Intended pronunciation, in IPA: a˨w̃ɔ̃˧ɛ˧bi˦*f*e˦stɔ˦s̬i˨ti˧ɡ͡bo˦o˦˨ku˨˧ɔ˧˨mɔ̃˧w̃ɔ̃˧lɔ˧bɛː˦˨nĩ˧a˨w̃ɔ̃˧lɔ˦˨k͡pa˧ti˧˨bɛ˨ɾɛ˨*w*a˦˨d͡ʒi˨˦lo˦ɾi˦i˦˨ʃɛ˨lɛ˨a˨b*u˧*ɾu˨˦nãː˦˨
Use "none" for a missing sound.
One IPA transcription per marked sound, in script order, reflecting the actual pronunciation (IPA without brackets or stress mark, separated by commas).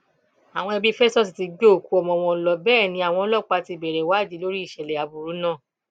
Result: f, w, u˧